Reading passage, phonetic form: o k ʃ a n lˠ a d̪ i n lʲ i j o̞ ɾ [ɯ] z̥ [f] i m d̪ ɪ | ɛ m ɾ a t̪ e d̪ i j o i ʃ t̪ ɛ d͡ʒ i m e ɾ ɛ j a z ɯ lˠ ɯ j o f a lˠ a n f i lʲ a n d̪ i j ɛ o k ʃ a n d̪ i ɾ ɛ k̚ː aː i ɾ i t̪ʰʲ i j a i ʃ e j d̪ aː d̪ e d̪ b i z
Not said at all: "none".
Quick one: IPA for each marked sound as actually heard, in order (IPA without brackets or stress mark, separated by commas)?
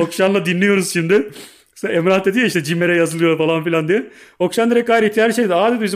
u, ʃ